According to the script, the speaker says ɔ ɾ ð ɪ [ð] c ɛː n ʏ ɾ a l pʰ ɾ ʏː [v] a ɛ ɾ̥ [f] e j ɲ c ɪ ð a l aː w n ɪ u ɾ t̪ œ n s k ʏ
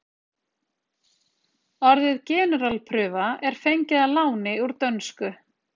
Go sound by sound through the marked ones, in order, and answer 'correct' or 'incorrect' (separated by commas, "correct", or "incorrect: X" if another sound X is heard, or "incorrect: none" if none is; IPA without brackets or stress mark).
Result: correct, correct, correct